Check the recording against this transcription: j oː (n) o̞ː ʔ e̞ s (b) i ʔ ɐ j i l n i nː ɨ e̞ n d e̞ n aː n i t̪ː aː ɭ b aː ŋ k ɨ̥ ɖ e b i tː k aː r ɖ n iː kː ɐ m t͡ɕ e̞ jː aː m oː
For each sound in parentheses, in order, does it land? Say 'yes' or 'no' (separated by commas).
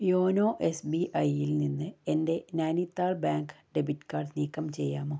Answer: yes, yes